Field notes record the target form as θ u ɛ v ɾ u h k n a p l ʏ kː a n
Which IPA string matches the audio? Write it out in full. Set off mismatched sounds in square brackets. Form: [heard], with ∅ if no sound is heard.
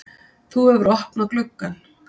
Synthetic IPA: θ u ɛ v ɾ [ɔ] h [p] n a [k] l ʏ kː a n